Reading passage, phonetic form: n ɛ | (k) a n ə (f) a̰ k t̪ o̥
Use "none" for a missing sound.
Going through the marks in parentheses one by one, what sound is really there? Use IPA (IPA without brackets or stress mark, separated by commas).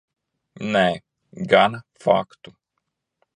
ɡ, f